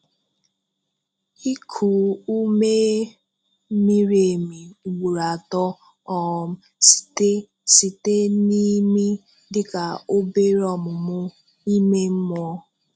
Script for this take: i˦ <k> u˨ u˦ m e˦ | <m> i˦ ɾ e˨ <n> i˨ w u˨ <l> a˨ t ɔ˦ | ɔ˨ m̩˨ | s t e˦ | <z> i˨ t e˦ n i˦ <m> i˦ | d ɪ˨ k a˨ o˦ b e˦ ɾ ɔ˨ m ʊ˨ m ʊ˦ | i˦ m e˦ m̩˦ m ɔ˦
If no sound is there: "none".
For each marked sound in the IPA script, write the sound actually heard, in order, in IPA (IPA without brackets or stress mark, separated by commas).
kʰ, m, m, ɾ, s, m